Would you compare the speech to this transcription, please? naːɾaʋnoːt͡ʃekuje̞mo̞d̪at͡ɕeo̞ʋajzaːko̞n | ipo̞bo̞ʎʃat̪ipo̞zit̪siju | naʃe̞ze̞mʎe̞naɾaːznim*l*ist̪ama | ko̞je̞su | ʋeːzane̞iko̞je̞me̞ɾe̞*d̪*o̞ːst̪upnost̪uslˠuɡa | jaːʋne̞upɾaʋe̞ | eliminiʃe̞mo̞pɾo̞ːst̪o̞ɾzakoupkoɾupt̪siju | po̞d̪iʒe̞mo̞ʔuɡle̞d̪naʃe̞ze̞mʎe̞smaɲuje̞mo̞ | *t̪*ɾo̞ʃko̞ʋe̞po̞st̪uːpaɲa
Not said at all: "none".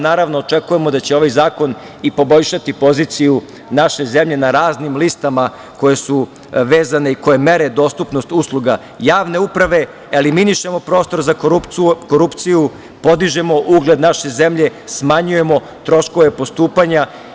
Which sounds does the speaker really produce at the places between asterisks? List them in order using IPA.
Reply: l, d̪, t̪

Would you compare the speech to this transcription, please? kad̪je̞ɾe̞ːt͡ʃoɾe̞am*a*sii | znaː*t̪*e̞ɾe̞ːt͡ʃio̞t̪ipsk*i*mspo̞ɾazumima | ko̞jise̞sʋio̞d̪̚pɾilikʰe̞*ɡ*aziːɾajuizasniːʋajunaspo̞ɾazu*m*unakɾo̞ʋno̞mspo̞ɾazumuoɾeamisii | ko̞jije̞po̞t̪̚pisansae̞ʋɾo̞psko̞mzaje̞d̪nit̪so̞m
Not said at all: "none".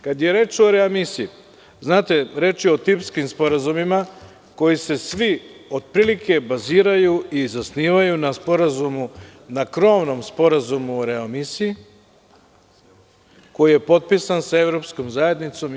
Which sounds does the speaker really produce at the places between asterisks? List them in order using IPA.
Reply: i, t̪, i, b, m

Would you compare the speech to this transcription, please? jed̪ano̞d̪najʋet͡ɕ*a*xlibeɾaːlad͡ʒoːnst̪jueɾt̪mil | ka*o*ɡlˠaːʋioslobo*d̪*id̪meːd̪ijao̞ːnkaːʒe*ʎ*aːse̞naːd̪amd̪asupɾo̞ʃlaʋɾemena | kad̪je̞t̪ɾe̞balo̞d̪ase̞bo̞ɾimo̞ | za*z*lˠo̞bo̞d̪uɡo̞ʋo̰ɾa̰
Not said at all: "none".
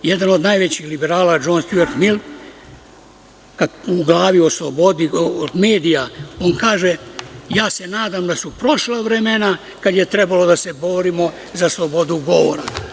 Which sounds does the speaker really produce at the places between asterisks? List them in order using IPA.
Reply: i, u, d̪, j, s

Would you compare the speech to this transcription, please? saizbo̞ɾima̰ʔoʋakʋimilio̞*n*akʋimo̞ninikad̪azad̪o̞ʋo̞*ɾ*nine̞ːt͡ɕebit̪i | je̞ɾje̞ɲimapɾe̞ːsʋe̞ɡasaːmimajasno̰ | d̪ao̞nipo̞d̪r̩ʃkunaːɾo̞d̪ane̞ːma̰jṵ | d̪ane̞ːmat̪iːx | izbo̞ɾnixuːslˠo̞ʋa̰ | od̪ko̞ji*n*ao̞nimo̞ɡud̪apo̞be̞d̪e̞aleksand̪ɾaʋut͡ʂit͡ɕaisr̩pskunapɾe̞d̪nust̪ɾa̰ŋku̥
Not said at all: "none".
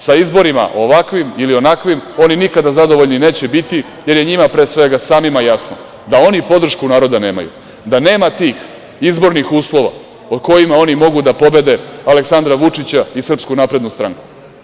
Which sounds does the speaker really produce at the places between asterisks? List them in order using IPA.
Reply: n, ʎ, m

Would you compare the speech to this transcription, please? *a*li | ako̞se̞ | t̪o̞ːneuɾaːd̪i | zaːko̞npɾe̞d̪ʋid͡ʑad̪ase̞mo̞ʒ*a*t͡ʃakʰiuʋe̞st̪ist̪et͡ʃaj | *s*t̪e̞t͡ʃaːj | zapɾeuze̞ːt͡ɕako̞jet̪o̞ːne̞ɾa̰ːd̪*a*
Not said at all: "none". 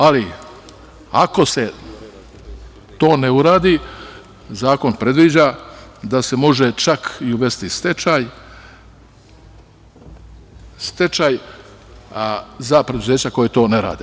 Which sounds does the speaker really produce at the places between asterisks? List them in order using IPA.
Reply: a, e, s, e

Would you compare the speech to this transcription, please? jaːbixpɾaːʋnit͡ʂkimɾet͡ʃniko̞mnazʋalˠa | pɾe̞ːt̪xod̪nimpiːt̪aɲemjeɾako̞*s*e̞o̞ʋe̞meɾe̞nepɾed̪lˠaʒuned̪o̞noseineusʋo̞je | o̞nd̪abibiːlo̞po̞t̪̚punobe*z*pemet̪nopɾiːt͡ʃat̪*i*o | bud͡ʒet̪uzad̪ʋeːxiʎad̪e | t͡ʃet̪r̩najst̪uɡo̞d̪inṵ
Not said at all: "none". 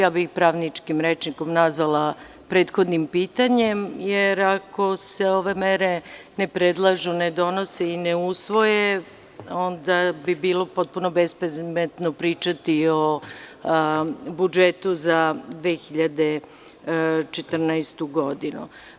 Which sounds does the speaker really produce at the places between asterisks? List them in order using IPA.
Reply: s, s, i

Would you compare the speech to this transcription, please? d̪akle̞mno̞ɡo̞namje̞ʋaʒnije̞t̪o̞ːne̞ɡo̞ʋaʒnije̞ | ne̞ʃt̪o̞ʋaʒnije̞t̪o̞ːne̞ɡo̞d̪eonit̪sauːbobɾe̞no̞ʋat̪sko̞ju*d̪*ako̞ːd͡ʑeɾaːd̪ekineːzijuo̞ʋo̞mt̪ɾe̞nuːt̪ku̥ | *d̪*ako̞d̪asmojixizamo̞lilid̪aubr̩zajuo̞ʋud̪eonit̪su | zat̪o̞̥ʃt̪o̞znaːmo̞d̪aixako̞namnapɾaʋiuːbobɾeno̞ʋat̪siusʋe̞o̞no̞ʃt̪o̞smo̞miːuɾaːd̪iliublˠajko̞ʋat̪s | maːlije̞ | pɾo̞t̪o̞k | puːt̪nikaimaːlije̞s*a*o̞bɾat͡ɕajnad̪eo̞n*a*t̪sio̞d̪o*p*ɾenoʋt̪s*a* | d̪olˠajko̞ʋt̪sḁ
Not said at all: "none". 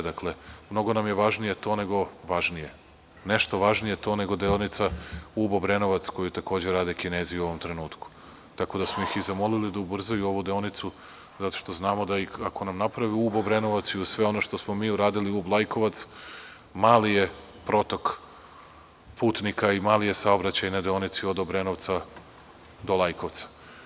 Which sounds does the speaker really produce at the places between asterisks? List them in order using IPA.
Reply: t̪, t̪, a, i, b, a

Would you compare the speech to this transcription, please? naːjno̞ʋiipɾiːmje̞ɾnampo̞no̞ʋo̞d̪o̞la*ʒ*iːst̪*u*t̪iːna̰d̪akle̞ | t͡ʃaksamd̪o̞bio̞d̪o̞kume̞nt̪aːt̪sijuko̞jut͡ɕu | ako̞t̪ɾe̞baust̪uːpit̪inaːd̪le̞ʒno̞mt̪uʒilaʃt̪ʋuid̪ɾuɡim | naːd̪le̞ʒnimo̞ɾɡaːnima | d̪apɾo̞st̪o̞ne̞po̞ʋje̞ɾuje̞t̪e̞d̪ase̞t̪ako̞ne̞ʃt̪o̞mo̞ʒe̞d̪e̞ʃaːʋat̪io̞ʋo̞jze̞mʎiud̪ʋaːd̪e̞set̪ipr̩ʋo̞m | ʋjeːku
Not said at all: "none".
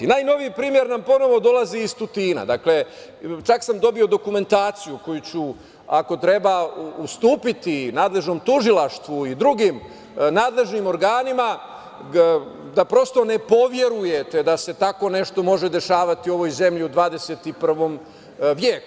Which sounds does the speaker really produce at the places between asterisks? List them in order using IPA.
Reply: z, u

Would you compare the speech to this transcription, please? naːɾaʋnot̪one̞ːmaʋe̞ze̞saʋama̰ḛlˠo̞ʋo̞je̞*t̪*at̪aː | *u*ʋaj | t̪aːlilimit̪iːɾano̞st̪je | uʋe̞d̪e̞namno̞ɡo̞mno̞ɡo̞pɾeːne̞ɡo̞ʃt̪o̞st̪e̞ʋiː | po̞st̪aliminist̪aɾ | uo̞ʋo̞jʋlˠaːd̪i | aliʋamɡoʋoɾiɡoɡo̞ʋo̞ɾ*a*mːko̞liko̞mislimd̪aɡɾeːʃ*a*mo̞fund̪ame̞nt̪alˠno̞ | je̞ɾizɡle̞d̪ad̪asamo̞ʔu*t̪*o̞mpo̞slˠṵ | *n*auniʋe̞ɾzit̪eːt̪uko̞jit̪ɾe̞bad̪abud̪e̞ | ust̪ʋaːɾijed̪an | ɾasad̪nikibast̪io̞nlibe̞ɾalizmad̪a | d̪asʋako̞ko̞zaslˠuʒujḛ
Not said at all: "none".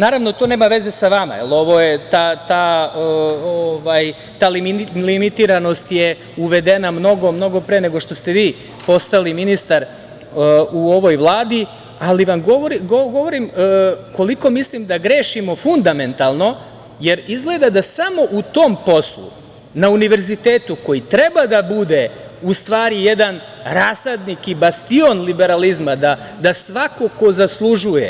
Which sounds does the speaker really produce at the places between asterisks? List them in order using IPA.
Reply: t̪, o, i, i, t̪, n

